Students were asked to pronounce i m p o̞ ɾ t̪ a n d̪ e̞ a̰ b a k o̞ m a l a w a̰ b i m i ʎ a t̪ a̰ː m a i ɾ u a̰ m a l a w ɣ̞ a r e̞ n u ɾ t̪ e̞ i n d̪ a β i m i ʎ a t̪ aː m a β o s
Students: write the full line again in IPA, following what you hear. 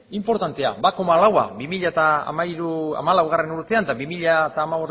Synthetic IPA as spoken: i m p o̞ ɾ t̪ a n t̪ e̞ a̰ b a k o̞ m a l a w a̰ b i m i ʎ a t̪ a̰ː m a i ɾ u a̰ m a l a w ɣ̞ a r e̞ n u ɾ t̪ e̞ a n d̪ a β i m i ʎ a t̪ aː m a β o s

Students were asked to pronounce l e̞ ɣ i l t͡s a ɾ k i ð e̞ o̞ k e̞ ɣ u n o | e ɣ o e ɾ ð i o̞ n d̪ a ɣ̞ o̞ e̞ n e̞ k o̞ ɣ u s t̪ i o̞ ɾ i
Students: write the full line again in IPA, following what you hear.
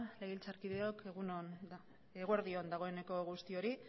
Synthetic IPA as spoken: l e̞ ɣ i l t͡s a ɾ k i ð e̞ o̞ k e̞ ɣ u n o | e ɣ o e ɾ ð i o̞ n d̪ a ɣ̞ o̞ e̞ n e̞ k o̞ ɣ u s t̪ i o̞ ɾ i

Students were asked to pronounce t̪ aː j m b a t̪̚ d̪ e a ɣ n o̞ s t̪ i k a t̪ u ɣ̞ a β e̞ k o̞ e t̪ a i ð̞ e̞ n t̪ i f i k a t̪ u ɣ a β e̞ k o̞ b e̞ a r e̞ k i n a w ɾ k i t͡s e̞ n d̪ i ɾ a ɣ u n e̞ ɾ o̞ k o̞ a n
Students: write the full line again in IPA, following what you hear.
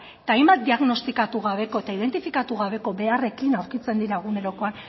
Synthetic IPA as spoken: t̪ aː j m b a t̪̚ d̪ i a ɣ n o̞ s t̪ i k a t̪ u ɣ̞ a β e̞ k o̞ e t̪ a i ð̞ e̞ n t̪ i f i k a t̪ u ɣ a β e̞ k o̞ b e̞ a r e̞ k i n a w ɾ k i t͡s e̞ n d̪ i ɾ a ɣ u n e̞ ɾ o̞ k o̞ a n

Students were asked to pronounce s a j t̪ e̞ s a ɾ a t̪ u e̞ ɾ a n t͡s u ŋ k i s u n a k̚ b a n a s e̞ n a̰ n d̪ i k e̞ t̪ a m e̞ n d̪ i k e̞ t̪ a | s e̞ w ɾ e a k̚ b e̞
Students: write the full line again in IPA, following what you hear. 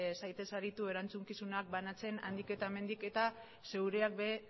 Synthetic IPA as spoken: s a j t̪ e̞ s a ɾ i t̪ u e̞ ɾ a n t͡s u ŋ k i s u n a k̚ b a n a t͡s e̞ n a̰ n d̪ i k e̞ t̪ a m e̞ n d̪ i k e̞ t̪ a | s e̞ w ɾ e a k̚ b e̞

